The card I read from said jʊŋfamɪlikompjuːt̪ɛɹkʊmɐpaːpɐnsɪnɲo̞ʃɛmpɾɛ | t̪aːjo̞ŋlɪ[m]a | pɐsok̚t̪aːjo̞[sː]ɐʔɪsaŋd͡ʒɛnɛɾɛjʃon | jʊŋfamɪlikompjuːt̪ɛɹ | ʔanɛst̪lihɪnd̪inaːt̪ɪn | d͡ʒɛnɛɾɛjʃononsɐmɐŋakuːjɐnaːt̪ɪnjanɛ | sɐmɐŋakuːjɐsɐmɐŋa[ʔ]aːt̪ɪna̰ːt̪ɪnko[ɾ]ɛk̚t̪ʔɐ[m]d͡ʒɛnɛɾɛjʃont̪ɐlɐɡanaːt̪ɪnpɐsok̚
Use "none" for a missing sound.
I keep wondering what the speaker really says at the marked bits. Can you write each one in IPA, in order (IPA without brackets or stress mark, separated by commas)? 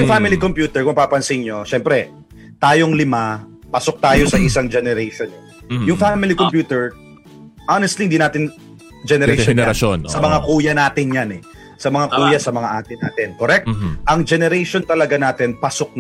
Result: m, s, ʔ, ɾ, ŋ